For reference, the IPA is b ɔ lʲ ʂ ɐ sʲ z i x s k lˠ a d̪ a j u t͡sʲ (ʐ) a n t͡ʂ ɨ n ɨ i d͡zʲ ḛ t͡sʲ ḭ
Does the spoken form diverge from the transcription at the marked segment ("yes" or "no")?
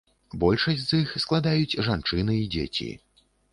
no